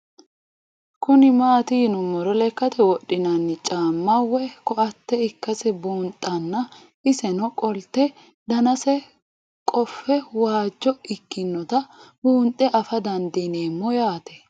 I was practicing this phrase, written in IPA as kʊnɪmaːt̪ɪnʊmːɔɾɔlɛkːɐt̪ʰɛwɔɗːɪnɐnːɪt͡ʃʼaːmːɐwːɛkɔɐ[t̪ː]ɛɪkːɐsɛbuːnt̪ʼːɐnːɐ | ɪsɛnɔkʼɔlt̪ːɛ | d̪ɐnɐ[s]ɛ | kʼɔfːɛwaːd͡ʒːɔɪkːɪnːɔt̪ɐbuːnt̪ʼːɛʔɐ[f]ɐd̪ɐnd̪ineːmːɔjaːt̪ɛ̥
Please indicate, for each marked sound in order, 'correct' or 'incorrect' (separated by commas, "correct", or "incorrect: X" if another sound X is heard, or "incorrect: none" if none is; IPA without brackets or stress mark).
correct, correct, correct